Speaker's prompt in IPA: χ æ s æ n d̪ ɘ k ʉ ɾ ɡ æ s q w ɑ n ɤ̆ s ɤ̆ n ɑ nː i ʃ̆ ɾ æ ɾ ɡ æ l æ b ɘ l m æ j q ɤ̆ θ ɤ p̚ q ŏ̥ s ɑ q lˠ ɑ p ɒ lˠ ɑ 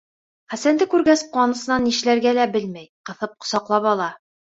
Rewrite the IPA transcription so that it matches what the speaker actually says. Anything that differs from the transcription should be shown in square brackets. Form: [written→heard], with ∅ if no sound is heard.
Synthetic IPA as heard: χ æ s æ n d̪ ɘ k ʉ ɾ ɡ æ s q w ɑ n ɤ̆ s ɤ̆ n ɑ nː i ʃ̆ [ɾ→l] æ ɾ ɡ æ l æ b ɘ l m æ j q ɤ̆ θ ɤ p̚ q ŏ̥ s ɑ q lˠ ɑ p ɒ lˠ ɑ